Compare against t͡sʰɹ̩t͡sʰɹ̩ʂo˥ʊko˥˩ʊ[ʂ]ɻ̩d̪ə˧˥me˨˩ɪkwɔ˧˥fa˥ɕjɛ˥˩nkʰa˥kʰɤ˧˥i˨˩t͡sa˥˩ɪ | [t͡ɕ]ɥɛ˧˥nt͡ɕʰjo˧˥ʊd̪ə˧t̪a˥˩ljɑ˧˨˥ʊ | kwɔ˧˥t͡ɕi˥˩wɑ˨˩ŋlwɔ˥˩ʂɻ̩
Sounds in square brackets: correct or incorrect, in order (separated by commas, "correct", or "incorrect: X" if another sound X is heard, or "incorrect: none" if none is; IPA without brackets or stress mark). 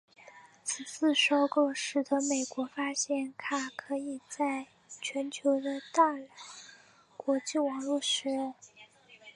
correct, incorrect: t͡ɕʰ